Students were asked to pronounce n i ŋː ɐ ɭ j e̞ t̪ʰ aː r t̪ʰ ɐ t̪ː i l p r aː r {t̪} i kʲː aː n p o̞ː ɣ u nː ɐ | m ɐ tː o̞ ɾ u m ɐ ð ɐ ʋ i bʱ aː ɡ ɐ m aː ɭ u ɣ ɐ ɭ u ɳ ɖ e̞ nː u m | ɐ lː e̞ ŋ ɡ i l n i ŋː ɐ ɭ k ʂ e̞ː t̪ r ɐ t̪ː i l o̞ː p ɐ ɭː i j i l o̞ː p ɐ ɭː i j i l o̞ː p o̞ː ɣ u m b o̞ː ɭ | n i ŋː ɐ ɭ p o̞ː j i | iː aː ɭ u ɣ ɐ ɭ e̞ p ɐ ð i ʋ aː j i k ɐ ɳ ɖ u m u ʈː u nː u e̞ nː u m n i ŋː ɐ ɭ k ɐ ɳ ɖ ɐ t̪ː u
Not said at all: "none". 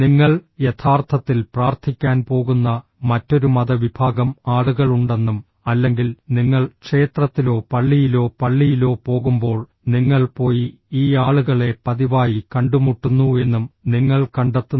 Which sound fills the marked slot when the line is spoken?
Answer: t̪ʰ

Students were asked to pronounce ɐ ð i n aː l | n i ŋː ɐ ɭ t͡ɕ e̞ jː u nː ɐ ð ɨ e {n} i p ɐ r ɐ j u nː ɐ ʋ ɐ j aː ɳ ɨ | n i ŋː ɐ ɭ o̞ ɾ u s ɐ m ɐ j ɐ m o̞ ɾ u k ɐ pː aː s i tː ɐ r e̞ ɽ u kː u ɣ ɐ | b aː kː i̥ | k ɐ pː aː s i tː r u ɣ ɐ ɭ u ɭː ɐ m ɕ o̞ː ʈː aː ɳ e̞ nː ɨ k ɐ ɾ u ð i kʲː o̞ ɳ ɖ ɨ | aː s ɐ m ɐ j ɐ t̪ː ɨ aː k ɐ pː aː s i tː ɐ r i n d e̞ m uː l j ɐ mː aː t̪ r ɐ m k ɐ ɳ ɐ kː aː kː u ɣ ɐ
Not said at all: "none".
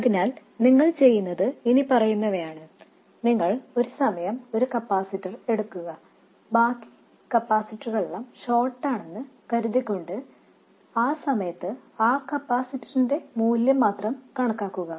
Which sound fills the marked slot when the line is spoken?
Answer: n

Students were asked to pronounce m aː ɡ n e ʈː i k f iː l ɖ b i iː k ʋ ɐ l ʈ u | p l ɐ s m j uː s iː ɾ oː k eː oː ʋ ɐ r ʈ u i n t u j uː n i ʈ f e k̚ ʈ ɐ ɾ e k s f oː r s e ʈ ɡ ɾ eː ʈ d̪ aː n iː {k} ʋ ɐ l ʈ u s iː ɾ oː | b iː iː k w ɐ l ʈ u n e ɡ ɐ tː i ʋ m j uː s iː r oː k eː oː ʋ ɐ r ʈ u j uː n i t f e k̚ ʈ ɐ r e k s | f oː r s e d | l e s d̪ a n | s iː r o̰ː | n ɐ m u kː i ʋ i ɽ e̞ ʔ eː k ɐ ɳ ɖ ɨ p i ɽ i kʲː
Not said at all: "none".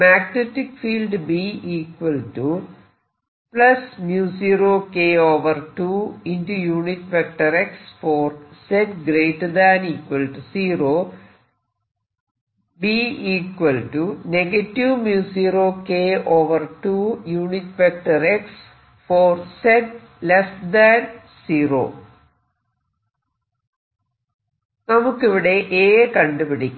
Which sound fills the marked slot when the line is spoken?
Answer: k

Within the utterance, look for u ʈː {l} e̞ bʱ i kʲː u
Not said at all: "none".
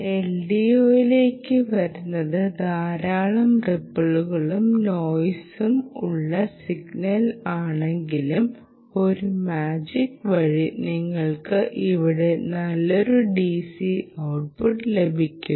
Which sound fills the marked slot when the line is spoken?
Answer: l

